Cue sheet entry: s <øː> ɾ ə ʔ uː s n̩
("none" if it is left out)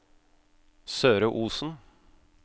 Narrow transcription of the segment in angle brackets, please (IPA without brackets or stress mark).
øː